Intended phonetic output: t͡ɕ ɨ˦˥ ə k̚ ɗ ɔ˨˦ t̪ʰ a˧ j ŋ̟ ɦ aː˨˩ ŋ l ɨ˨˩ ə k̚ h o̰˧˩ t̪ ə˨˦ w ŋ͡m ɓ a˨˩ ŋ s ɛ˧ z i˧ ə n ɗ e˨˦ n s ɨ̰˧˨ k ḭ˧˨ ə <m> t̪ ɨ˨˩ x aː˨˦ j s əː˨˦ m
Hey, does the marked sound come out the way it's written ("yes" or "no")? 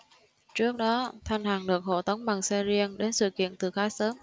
no